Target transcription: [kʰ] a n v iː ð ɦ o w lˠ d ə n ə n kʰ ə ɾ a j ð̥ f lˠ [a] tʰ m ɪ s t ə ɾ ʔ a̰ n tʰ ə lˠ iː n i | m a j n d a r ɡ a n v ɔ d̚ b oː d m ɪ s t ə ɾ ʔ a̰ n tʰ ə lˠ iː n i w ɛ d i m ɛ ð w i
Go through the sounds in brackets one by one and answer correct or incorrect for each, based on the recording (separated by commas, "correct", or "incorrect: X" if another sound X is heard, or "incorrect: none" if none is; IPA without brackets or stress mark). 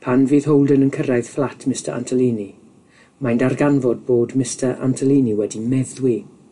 incorrect: pʰ, correct